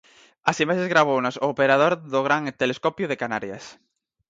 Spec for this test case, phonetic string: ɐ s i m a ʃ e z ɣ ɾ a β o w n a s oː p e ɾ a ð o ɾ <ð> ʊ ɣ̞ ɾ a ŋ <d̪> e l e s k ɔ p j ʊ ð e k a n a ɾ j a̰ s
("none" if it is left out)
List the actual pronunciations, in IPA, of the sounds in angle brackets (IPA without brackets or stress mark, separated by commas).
ð, t̪